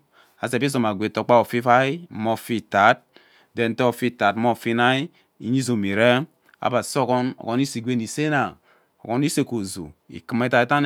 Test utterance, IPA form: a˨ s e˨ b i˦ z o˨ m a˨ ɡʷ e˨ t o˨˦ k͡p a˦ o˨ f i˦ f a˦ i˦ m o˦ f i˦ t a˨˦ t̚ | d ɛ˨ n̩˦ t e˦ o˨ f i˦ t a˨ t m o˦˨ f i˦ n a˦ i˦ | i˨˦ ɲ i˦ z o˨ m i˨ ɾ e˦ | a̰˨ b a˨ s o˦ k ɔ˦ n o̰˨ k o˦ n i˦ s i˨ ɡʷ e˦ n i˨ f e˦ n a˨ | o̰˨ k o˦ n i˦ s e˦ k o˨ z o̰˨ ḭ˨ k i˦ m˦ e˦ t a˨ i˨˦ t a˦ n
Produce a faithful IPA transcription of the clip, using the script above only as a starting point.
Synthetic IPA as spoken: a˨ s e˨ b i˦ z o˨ m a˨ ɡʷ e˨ t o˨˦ k͡p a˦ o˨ f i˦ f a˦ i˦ m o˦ f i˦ t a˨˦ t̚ | d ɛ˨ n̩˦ t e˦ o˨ f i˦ t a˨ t m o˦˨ f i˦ n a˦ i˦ | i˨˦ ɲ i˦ z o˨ m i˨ ɾ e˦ | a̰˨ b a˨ s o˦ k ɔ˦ n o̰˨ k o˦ n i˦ s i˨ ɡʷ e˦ n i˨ s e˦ n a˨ | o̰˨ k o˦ n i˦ s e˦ k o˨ z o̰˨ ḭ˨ k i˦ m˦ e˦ t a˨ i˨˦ t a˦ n

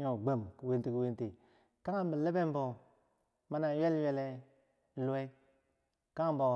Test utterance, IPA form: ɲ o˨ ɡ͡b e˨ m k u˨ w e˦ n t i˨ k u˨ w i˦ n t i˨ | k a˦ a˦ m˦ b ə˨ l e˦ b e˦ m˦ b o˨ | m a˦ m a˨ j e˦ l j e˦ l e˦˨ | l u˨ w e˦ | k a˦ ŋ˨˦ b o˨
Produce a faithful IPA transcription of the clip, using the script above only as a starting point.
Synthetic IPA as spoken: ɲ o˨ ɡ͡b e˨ m k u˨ w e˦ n t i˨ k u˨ w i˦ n t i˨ | k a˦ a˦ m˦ b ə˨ l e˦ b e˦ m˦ b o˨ | m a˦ n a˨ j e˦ l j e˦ l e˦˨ | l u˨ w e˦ | k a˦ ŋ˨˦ b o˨

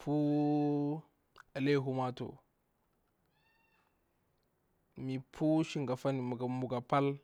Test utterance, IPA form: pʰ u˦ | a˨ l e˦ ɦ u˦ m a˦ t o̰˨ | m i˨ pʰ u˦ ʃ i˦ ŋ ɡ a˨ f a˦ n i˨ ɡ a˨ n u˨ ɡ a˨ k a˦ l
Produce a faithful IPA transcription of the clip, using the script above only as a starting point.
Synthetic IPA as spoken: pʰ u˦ | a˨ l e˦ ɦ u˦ m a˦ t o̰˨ | m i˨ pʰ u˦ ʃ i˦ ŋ ɡ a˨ f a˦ n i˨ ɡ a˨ m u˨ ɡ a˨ p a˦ l

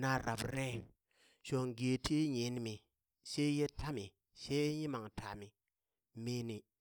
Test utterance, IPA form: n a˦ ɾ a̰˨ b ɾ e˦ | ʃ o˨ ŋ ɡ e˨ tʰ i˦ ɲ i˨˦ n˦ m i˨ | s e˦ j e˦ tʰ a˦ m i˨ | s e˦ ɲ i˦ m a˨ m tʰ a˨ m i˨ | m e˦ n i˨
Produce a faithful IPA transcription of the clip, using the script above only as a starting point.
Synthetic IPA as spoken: n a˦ ɾ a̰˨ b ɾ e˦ | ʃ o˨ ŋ ɡ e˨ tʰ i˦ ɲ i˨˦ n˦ m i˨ | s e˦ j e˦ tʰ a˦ m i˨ | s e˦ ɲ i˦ m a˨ ŋ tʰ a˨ m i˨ | m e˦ n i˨

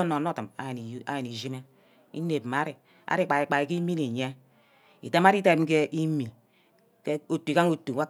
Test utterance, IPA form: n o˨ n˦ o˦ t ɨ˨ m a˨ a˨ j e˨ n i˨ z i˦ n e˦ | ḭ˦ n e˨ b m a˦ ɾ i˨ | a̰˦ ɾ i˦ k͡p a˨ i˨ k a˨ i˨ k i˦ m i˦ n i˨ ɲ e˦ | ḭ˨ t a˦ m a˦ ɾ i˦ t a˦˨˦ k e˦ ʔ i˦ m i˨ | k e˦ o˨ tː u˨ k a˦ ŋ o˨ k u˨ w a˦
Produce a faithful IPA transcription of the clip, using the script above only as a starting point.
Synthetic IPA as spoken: n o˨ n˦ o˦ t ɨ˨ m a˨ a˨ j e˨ n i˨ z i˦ m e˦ | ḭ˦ n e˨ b m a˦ ɾ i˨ | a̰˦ ɾ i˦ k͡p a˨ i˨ k͡p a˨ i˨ k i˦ m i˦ n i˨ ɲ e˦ | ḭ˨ t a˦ m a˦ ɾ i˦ t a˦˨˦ k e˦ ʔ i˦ m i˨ | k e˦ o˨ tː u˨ k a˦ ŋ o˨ t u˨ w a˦

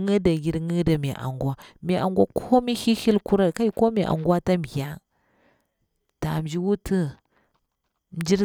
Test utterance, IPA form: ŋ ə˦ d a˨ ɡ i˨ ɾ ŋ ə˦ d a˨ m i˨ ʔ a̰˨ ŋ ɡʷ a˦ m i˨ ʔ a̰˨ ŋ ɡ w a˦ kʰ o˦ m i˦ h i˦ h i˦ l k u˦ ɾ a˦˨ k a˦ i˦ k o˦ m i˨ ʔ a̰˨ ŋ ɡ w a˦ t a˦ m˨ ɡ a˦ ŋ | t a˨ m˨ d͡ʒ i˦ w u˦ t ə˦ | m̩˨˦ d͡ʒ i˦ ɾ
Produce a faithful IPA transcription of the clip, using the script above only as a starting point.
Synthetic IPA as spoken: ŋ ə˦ d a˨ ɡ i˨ ɾ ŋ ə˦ d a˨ m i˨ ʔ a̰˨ ŋ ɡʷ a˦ m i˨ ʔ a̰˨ ŋ ɡ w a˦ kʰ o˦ m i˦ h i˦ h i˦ l k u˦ ɾ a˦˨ k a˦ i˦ k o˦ m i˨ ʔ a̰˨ ŋ ɡ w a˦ t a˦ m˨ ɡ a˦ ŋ | t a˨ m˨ d͡ʒ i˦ w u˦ t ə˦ | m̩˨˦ d͡ʒ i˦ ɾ

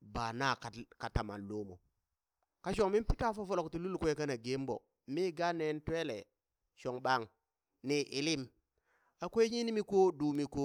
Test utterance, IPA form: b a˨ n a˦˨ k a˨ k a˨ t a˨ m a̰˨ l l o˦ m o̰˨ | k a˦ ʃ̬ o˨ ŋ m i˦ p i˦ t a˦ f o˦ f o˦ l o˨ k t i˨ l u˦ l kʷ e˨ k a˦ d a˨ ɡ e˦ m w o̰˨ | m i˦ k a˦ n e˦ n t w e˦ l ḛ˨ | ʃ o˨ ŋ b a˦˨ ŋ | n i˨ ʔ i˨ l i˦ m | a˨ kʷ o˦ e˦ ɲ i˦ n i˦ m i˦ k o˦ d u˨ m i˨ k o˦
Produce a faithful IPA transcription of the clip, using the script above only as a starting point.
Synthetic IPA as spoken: b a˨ n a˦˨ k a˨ k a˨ t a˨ m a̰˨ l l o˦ m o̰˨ | k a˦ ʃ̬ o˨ ŋ m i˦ p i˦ t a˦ f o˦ f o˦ l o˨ k t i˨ l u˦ l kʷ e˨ k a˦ n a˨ ɡ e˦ m b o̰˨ | m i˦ ɡ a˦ n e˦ n t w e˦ l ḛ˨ | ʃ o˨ ŋ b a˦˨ ŋ | n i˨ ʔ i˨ l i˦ m | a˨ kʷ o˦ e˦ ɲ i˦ n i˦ m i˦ k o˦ d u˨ m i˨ k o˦

